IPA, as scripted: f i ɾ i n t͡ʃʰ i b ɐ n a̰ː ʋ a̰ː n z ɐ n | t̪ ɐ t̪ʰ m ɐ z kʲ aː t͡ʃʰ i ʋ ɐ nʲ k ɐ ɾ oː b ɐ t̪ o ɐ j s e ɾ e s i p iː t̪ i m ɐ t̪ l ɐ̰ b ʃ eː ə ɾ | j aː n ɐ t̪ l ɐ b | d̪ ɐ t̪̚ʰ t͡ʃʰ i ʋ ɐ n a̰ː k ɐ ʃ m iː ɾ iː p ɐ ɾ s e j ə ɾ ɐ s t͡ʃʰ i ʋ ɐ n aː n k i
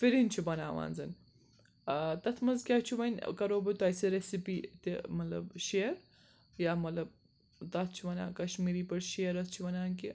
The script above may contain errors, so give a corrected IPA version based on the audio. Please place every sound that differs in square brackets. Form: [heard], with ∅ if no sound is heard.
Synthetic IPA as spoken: f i ɾ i n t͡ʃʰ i b ɐ n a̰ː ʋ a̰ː n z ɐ n | t̪ ɐ t̪ʰ m ɐ z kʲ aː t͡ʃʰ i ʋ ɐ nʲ k ɐ ɾ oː b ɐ t̪ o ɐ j s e ɾ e s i p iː t̪ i m ɐ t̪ l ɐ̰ b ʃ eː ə ɾ | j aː [m] ɐ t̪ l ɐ b | [t̪] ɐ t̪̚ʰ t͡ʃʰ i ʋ ɐ n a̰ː k ɐ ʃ m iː ɾ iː p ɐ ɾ [ʃ] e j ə ɾ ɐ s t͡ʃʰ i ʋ ɐ n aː n k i